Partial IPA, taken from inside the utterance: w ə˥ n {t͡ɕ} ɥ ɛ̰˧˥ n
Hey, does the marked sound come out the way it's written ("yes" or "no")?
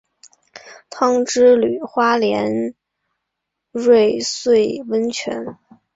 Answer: no